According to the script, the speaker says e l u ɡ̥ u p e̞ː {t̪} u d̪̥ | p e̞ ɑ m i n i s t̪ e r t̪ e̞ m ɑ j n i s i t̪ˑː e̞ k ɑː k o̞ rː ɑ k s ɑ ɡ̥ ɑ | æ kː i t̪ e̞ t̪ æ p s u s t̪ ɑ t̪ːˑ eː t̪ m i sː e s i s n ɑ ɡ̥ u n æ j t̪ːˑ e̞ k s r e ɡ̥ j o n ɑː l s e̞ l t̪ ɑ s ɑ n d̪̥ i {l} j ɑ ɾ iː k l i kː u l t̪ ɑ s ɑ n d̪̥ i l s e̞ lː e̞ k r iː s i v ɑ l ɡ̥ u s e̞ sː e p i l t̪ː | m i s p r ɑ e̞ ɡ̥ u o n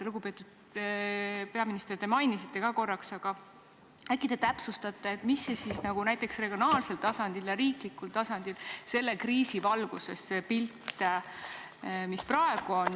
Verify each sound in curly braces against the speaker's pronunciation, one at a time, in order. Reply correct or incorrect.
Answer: correct, correct

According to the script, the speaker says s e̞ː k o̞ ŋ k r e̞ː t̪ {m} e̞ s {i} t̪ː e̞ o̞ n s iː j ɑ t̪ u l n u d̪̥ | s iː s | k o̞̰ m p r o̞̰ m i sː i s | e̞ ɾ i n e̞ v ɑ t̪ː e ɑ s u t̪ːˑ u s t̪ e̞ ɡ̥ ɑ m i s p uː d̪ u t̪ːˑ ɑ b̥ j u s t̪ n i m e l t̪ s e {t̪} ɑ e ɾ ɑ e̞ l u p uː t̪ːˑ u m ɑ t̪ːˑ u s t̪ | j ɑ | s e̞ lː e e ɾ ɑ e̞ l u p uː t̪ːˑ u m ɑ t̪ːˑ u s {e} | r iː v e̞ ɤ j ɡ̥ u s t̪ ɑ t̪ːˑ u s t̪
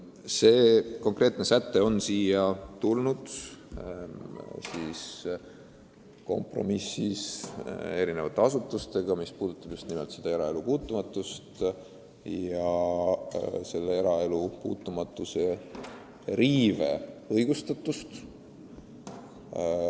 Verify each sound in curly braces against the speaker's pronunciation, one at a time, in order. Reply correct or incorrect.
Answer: incorrect: n, incorrect: æ, incorrect: d̪, correct

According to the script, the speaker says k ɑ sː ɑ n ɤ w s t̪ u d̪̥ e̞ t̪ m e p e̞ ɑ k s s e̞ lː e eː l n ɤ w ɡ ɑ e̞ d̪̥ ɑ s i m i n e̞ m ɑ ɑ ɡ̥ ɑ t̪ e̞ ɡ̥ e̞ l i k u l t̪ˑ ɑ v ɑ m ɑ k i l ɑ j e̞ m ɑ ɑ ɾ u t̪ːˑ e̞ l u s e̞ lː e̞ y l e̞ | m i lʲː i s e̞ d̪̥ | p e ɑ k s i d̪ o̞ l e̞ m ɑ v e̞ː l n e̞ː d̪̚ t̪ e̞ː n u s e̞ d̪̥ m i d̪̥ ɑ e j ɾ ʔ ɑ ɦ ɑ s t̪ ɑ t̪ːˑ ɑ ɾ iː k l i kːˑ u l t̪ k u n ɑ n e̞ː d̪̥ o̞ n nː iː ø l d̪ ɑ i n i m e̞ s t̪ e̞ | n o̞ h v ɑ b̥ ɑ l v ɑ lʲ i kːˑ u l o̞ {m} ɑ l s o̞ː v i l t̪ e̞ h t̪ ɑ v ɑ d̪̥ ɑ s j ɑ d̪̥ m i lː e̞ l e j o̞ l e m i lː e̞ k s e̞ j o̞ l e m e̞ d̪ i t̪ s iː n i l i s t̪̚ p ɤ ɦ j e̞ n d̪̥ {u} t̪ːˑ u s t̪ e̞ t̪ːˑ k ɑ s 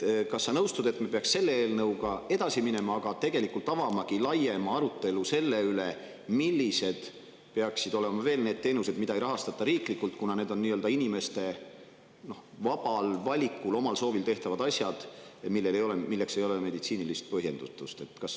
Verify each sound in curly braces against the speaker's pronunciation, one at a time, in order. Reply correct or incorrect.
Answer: correct, correct

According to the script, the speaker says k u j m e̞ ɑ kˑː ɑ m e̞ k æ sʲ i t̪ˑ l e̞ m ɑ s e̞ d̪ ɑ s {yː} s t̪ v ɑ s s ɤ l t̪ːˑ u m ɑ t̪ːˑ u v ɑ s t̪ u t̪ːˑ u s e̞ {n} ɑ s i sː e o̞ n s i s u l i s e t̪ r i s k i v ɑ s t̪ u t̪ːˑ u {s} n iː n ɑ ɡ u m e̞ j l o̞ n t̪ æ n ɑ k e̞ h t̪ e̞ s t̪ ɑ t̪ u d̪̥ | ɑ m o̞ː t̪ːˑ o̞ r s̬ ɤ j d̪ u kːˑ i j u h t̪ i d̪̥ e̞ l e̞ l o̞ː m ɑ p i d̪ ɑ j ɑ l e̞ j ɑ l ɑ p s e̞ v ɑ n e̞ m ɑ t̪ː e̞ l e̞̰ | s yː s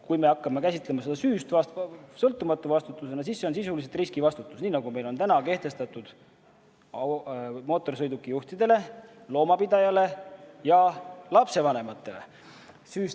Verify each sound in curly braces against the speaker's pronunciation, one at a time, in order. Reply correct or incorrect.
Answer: correct, correct, correct

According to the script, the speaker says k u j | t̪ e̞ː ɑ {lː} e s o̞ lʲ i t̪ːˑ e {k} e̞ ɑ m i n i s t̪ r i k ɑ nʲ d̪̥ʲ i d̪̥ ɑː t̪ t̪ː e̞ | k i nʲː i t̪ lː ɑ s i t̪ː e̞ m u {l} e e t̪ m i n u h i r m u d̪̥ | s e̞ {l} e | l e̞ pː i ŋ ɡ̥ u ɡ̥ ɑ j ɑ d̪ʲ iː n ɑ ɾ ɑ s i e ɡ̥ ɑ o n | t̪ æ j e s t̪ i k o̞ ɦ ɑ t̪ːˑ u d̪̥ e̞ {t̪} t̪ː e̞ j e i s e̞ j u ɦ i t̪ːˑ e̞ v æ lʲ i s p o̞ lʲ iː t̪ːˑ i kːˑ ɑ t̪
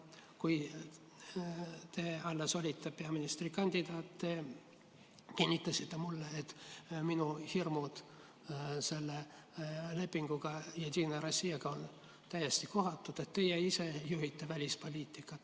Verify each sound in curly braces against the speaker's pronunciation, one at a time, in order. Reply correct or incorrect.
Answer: correct, incorrect: p, incorrect: lː, incorrect: lː, correct

